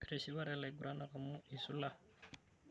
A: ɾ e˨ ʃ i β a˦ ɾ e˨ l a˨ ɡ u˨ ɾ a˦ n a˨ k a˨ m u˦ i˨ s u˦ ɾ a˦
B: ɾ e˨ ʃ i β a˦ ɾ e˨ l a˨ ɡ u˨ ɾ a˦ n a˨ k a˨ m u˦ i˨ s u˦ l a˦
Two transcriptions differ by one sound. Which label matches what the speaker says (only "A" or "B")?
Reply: B